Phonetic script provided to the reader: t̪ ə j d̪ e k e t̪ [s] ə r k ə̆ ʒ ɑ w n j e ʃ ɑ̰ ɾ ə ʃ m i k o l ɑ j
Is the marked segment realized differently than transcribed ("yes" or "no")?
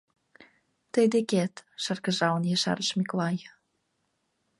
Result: yes